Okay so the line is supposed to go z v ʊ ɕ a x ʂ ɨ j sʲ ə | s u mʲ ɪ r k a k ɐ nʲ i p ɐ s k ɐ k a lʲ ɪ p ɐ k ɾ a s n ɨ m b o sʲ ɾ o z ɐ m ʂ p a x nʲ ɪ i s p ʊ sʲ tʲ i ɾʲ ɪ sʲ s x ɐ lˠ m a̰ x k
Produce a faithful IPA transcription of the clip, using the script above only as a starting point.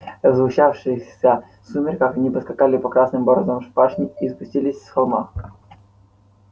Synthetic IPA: z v ʊ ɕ a f ʂ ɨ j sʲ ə | s u mʲ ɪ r k a k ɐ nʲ i p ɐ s k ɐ k a lʲ ɪ p ɐ k ɾ a s n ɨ m b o ɾ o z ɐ m ʂ p a ʂ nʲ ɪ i s p ʊ sʲ tʲ i lʲ ɪ sʲ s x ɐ lˠ m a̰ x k